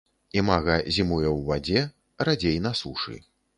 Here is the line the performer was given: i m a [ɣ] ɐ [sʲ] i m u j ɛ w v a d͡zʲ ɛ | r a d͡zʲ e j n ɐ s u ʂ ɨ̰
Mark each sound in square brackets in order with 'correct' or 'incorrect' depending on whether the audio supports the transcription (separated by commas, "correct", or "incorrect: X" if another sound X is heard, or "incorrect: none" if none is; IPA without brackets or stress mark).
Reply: correct, incorrect: zʲ